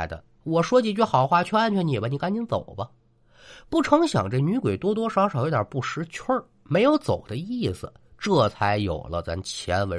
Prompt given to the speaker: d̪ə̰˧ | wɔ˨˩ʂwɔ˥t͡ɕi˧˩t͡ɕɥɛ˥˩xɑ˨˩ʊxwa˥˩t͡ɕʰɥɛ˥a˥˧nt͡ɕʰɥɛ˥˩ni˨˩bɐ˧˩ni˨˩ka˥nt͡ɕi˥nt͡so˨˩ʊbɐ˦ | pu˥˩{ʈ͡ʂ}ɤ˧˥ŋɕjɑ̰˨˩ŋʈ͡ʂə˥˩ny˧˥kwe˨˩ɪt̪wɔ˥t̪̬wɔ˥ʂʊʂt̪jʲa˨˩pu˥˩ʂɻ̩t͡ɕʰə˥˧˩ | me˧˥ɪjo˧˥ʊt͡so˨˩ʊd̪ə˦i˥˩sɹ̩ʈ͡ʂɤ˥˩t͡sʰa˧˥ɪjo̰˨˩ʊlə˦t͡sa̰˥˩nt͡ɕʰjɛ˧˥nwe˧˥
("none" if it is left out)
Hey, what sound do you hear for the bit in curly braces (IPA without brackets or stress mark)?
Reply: ʈ͡ʂʰ